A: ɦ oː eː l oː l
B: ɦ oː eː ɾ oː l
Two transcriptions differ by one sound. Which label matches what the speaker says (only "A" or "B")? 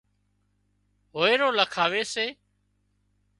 B